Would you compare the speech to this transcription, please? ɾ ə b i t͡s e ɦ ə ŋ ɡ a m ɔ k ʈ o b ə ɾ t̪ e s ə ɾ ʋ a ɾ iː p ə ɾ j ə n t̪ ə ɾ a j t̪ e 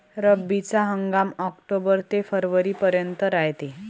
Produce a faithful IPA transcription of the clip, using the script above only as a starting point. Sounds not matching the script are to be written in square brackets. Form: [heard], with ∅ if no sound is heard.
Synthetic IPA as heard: ɾ ə b i t͡s [a] ɦ ə ŋ ɡ a m ɔ k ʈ o b ə ɾ t̪ e [f] ə ɾ ʋ [ə] ɾ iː p ə ɾ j ə n t̪ ə ɾ a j t̪ e